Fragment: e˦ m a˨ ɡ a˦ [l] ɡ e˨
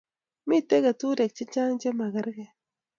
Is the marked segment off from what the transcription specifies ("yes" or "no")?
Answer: yes